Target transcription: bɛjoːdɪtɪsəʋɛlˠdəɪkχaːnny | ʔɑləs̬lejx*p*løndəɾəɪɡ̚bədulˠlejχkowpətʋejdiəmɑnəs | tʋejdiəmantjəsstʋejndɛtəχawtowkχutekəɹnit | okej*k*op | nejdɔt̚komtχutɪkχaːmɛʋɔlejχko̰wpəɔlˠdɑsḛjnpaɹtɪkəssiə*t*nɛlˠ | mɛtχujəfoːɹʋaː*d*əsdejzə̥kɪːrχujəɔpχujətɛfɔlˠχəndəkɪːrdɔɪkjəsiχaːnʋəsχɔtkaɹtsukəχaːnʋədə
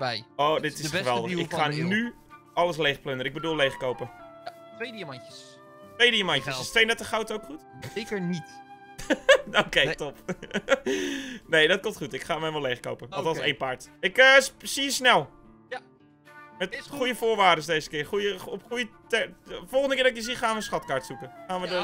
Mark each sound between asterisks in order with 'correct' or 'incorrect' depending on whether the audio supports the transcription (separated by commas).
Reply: correct, incorrect, incorrect, correct